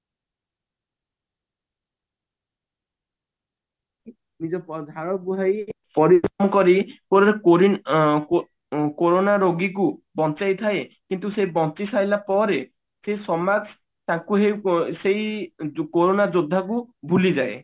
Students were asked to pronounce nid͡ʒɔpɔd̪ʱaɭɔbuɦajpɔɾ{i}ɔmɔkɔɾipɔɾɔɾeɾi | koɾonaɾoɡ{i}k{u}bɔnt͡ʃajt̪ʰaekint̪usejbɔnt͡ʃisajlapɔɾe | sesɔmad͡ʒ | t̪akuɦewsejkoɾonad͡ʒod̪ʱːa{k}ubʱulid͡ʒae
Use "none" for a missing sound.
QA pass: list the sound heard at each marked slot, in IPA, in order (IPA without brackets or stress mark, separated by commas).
i, i, u, k